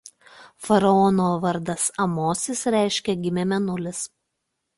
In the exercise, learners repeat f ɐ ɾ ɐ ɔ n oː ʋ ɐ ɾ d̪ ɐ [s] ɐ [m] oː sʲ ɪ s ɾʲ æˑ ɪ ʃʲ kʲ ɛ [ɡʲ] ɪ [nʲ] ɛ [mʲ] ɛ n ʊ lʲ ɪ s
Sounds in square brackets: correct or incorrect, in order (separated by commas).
correct, correct, correct, incorrect, correct